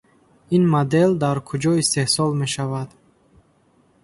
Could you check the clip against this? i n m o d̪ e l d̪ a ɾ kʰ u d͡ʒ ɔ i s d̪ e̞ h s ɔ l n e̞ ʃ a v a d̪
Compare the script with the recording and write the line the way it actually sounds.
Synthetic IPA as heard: i n m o d̪ e l d̪ a ɾ kʰ u d͡ʒ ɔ i s t̪ e̞ h s ɔ l m e̞ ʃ a v a d̪